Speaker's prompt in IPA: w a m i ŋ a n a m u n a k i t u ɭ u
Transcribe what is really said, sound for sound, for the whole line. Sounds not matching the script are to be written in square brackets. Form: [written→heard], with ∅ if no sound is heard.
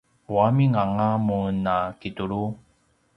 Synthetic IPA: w a m i ŋ a [n→ŋ] a m u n a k i t u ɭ u